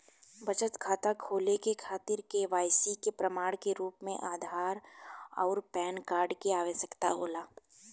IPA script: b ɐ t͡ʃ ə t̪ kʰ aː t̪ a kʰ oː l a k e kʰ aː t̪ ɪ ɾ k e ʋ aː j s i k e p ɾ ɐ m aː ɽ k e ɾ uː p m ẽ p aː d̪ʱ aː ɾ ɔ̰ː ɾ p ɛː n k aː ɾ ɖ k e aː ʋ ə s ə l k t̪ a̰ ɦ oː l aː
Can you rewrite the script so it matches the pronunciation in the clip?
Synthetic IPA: b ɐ t͡ʃ ə t̪ kʰ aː t̪ a kʰ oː l e k e kʰ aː t̪ ɪ ɾ k e ʋ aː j s i k e p ɾ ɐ m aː ɽ k e ɾ uː p m ẽ ʔ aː d̪ʱ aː ɾ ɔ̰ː ɾ p ɛː n k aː ɾ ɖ k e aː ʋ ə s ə k t̪ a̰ ɦ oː l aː

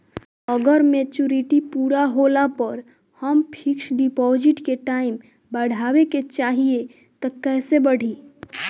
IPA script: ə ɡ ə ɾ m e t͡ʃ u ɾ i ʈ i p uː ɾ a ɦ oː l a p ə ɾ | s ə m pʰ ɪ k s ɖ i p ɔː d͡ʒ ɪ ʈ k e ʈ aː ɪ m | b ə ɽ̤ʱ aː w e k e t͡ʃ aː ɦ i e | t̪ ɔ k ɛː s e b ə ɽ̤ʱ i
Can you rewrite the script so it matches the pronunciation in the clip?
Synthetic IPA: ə ɡ ə ɾ m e t͡ʃ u ɾ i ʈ i p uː ɾ a ɦ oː l a p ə ɾ | h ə m pʰ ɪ k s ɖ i p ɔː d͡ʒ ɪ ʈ k e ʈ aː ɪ m | b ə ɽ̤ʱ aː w e k e t͡ʃ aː ɦ i e | t̪ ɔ k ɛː s e b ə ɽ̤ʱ i

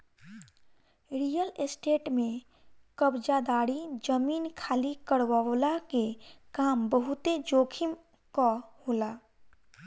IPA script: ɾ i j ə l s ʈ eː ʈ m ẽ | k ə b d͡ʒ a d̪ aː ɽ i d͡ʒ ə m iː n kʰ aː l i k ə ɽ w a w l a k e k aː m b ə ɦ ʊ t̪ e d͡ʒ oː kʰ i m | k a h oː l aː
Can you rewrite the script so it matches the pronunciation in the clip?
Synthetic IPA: ɾ i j ə l s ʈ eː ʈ m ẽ | k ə b d͡ʒ a d̪ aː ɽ i d͡ʒ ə m iː n kʰ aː l i k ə ɽ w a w l a k e k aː m b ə ɦ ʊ t̪ e d͡ʒ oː kʰ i m | k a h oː l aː

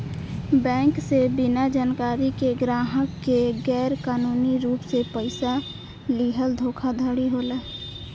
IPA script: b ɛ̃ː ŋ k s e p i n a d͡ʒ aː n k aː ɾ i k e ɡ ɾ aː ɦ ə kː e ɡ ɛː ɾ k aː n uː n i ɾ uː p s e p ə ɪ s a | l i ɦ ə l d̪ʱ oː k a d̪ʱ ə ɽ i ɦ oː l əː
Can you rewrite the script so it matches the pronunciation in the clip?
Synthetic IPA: b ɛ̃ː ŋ k s e b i n a d͡ʒ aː n k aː ɾ i k e ɡ ɾ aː ɦ ə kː e ɡ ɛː ɾ k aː n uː n i ɾ uː p s e p ə ɪ s a | l i ɦ ə l d̪ʱ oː kʰ a d̪ʱ ə ɽ i ɦ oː l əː

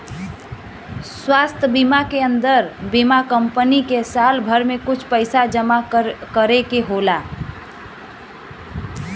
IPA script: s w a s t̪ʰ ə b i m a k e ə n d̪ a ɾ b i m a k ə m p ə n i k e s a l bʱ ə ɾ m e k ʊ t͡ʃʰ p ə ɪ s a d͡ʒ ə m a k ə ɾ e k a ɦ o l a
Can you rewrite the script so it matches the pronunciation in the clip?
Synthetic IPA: s w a s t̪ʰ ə b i m a k e ə n d̪ ə ɾ b i m a k ə m p ə n i k e s a l bʱ ə ɾ m e k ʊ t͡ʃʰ p ə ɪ s a d͡ʒ ə m a k ə ɾ e k e ɦ o l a

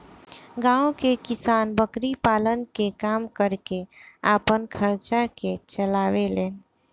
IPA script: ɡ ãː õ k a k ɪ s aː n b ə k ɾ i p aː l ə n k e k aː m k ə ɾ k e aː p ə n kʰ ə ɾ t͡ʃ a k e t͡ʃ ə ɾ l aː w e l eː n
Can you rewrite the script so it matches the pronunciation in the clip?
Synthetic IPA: ɡ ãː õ k e k ɪ s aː n b ə k ɾ i p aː l ə n k e k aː m k ə ɾ k e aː p ə n kʰ ə ɾ t͡ʃ a k e t͡ʃ ə l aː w e l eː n

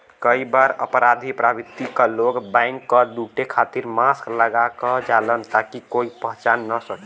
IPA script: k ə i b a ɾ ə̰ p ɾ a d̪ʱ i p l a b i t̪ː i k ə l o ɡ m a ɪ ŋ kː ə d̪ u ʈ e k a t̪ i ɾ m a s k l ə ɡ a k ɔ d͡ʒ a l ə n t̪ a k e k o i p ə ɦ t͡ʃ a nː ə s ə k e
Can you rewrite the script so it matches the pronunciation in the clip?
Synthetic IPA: k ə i b a ɾ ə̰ p ɾ a d̪ʱ i p ɾ a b i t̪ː i k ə l o ɡ b a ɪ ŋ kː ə d̪ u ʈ e kʰ a t̪ i ɾ m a s k l ə ɡ a k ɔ d͡ʒ a l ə n t̪ a k i k o i p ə ɦ t͡ʃ a nː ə s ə k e

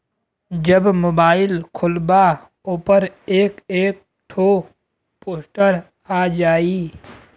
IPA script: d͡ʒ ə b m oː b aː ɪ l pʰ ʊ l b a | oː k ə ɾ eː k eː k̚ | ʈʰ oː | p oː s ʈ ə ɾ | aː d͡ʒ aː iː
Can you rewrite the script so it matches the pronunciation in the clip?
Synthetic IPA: d͡ʒ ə b m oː b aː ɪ l kʰ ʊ l b a | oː p ə ɾ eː k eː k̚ | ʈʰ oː | p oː s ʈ ə ɾ | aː d͡ʒ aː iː

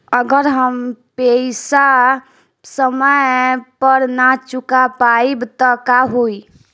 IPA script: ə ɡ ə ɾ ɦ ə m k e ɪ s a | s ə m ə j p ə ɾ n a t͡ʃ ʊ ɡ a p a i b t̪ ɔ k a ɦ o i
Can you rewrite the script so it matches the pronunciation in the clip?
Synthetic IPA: ə ɡ ə ɾ ɦ ə m p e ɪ s a | s ə m ə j p ə ɾ n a t͡ʃ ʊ k a p a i b t̪ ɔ k a ɦ o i

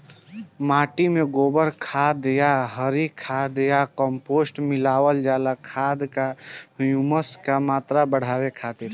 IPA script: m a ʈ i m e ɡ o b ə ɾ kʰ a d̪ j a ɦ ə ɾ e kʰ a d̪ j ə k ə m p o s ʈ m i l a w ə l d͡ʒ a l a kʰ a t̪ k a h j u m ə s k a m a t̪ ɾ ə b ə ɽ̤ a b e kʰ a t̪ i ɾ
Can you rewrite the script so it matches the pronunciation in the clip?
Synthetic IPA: m a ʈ i m e ɡ o b ə ɾ kʰ a d̪ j a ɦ ə ɾ i kʰ a d̪ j a k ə m p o s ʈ m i l a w ə l d͡ʒ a l a kʰ a d̪ k a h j u m ə s k a m a t̪ ɾ a b ə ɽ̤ a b e kʰ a t̪ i ɾ

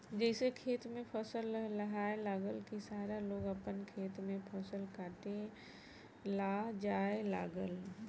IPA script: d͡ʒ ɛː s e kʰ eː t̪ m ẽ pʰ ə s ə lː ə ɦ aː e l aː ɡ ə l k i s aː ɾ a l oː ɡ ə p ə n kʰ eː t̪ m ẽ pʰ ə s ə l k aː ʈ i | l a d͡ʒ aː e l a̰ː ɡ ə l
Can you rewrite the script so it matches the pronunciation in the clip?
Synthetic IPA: d͡ʒ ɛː s e kʰ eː t̪ m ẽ pʰ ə s ə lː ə ɦ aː e l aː ɡ ə l k i s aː ɾ a l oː ɡ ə p ə n kʰ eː t̪ m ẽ pʰ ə s ə l k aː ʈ e | l a d͡ʒ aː e l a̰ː ɡ ə l

